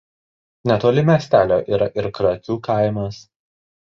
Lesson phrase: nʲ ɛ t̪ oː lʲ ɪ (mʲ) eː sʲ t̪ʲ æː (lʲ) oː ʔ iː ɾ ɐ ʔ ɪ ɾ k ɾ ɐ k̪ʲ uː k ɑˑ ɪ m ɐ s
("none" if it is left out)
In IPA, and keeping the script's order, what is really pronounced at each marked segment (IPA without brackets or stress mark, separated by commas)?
mʲ, lʲ